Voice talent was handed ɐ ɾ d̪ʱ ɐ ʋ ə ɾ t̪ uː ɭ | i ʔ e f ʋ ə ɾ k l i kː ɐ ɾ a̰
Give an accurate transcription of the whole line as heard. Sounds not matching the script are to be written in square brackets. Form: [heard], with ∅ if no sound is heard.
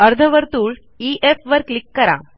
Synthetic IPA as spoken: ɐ ɾ d̪ʱ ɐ ʋ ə ɾ t̪ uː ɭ | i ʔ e f ʋ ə ɾ k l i kː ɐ ɾ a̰